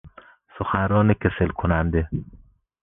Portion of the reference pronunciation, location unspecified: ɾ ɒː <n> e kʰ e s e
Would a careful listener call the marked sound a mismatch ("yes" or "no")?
no